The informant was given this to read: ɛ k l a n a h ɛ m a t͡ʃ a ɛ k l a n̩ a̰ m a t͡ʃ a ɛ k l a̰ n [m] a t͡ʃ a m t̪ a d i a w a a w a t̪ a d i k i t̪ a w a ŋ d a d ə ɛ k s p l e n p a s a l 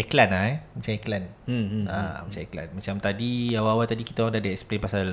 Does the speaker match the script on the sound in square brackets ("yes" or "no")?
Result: yes